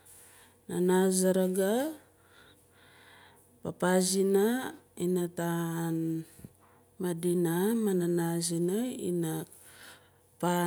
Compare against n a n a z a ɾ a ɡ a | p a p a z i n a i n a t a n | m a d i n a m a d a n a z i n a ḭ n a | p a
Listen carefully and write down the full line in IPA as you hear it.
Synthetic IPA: n a n a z a ɾ a ɡ a | p a p a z i n a i n a t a n | m a d i n a m a n a n a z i n a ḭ n a | p a